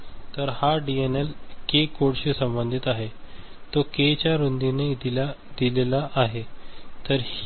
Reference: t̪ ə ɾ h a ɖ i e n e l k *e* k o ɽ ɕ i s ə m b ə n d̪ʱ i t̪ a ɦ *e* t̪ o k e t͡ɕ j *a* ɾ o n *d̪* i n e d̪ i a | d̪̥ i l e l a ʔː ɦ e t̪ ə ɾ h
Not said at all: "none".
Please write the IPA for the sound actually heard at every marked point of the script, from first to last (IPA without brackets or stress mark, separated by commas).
e, e, a, d̪